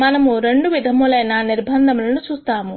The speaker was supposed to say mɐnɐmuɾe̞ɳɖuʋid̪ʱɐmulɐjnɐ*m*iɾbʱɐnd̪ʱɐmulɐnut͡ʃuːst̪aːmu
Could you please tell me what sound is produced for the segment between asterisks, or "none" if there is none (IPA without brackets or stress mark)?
n